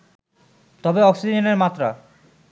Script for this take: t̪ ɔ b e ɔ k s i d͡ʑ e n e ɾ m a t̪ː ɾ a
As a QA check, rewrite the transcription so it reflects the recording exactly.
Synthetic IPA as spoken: t̪ ɔ b e ɔ k s i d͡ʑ e n e ɾ m a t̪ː ɾ a

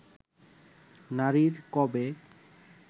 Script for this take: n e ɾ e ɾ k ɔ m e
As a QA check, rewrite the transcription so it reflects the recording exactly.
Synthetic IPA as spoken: n a ɾ i ɾ k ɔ b e

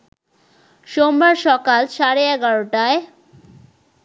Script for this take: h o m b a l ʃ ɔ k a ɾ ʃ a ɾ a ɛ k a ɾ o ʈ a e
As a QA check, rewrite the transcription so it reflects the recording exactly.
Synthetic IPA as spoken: ʃ o m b a ɾ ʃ ɔ k a l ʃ a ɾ e ɛ ɡ a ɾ o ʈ a e

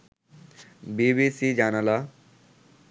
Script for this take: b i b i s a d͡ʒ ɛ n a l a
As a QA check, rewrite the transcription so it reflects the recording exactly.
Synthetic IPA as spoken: b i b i s i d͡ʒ a n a l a

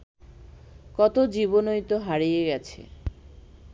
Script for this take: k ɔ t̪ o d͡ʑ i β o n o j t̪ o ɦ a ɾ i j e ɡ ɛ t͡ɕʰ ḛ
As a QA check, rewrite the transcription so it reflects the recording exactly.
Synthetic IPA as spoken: k ɔ t̪ o d͡ʑ i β o n o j t̪ o ɦ a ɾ i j e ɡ ɛ t͡ɕʰ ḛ

